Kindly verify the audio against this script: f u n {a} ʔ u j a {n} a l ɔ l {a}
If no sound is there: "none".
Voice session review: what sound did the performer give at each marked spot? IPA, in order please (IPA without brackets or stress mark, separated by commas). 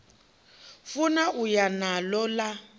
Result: a, n, a